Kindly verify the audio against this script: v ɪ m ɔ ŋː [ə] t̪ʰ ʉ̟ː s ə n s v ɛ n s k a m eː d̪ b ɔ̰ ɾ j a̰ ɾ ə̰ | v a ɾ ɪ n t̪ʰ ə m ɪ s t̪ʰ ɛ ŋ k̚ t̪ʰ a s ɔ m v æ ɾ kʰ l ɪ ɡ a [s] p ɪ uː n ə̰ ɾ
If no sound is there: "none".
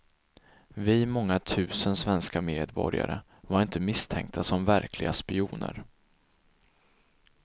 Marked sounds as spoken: a, s

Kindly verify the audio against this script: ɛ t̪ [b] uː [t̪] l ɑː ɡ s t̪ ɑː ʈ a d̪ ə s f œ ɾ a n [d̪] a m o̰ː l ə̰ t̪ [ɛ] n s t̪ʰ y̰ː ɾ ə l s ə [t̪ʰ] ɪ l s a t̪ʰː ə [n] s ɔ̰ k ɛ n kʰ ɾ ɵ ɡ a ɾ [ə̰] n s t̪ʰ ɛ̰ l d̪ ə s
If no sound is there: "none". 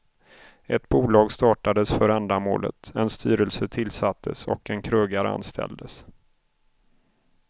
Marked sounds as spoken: b, none, d̪, ɛ, t̪ʰ, none, a̰

